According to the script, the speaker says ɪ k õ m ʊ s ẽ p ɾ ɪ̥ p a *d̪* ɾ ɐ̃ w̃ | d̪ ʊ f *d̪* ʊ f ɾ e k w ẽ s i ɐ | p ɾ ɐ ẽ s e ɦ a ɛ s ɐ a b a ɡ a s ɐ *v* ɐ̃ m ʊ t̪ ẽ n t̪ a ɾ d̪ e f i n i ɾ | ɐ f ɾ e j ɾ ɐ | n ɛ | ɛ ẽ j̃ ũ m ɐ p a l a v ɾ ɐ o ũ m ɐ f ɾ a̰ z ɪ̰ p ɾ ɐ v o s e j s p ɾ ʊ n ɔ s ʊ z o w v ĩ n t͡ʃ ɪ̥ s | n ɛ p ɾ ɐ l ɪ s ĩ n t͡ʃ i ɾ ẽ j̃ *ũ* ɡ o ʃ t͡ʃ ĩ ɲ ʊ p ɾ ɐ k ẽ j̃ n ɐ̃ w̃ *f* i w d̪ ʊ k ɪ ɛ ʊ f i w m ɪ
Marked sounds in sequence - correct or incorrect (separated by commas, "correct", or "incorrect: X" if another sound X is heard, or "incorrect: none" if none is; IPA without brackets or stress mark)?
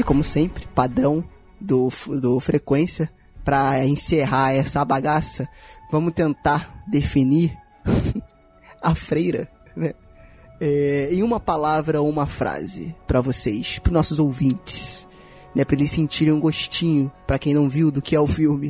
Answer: correct, correct, correct, correct, incorrect: v